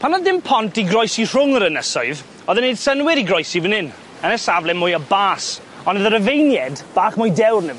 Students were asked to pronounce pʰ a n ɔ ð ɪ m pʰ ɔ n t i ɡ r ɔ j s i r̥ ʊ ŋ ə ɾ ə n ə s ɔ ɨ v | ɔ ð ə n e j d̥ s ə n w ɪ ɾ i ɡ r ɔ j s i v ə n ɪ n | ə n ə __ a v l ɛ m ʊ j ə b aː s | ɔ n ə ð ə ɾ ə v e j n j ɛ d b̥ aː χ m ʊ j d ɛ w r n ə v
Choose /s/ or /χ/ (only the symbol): s